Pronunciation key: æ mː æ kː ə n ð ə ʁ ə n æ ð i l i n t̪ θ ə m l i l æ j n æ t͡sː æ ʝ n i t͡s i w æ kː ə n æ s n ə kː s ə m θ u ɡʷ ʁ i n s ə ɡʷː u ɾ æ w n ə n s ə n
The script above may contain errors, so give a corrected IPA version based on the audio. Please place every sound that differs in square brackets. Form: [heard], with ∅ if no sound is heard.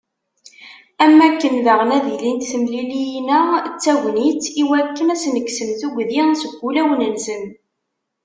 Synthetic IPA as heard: æ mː æ kː ə n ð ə ʁ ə n æ ð i l i n t̪ θ ə m l i l [i] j n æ t͡sː æ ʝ n i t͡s i w æ kː ə n æ s n ə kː s ə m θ u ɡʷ [ð] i n s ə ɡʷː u [l] æ w n ə n s ə n